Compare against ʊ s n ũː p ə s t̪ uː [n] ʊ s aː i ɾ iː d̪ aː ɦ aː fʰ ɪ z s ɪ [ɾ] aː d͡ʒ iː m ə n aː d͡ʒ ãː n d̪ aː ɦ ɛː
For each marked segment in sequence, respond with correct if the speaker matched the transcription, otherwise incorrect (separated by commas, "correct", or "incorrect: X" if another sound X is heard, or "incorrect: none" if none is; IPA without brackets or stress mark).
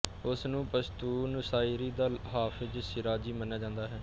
correct, correct